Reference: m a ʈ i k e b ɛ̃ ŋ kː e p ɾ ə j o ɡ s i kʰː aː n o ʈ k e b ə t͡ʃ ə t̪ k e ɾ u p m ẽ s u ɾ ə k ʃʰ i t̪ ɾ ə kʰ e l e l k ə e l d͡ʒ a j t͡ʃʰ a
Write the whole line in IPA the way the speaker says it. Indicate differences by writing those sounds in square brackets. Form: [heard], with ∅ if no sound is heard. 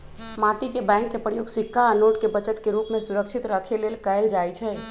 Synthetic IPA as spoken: m a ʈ i k e b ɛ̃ ŋ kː e p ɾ ə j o ɡ s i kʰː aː n o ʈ k e b ə t͡ʃ ə t̪ k e ɾ u p m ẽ s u ɾ ə k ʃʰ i t̪ ɾ ə kʰ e l e l k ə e l d͡ʒ a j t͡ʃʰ [ɛ]